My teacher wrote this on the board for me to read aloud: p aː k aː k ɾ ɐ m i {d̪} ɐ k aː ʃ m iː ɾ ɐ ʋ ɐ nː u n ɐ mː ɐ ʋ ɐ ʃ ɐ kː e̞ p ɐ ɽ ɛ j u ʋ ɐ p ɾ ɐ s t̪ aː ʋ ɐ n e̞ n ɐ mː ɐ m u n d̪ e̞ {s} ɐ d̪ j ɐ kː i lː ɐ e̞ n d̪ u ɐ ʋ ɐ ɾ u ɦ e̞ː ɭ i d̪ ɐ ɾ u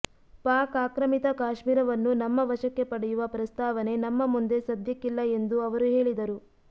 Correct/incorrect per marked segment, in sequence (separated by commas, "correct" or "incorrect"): incorrect, correct